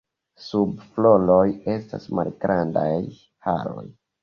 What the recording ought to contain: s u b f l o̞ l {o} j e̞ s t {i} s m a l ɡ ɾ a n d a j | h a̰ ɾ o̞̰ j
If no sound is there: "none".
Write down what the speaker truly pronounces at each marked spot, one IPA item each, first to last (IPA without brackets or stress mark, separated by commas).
o, a